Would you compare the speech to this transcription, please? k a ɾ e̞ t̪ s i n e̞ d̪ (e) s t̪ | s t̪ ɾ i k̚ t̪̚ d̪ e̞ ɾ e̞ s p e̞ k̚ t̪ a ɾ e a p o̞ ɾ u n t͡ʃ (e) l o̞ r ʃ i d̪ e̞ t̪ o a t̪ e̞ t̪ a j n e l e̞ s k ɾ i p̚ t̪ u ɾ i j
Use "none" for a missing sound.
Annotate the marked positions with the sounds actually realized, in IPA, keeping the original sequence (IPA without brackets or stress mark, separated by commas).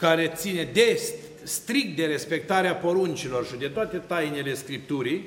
e, i